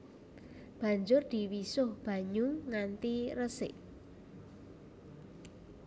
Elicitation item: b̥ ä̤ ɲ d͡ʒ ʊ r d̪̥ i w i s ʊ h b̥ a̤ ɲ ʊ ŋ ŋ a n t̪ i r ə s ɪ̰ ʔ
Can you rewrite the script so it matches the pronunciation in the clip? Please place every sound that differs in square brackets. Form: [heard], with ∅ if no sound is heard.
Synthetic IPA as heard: b̥ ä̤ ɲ d͡ʒ ʊ r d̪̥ i w i s ʊ h b̥ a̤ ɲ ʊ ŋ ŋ a n t̪ i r ə s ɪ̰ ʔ